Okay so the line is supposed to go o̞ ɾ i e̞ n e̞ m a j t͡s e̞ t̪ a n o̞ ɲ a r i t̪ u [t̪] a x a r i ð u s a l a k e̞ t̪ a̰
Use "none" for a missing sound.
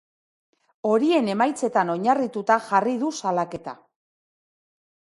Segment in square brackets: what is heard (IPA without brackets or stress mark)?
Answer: t̪